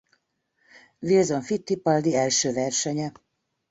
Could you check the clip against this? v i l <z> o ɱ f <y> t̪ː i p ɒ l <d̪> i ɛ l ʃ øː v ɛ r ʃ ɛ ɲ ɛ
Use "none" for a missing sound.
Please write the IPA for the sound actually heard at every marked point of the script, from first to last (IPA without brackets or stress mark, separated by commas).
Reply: z, i, d̪